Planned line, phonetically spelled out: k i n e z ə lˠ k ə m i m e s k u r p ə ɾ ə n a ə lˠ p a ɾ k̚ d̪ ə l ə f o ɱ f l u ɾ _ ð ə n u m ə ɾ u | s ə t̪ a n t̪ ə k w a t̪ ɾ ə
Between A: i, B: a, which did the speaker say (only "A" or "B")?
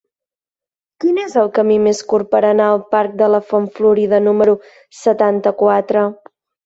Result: A